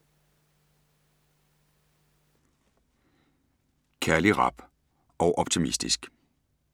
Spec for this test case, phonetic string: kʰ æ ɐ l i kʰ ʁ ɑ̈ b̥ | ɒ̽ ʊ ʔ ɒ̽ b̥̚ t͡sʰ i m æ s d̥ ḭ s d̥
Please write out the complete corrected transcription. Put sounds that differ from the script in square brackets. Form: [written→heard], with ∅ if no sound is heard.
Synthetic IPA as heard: kʰ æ ɐ l i [kʰ→∅] ʁ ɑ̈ b̥ | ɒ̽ ʊ ʔ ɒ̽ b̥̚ t͡sʰ i m [æ→i] s d̥ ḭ s [d̥→ɡ̥]